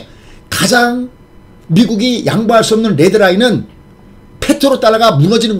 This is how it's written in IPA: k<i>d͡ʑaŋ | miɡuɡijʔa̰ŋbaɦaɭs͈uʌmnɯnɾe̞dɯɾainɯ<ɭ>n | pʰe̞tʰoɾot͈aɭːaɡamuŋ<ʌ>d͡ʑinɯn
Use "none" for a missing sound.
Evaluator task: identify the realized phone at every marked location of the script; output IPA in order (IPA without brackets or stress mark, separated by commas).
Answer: a, none, ʌ